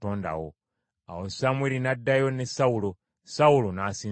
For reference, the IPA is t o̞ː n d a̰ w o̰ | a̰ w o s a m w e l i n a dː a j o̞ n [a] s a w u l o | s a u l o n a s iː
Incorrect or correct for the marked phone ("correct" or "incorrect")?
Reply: incorrect